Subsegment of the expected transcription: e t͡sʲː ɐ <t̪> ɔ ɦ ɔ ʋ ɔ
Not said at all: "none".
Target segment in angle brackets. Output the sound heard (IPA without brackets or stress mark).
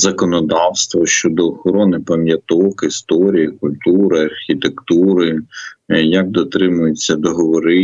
d̪